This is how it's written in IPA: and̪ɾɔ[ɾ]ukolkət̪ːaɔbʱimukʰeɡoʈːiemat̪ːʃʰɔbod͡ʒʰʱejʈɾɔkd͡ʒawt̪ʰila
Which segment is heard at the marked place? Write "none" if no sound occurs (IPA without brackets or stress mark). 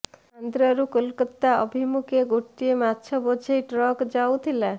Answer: ɾ